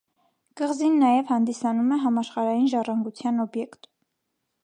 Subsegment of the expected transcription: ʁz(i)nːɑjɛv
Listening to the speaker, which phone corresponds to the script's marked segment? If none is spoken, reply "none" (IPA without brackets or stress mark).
i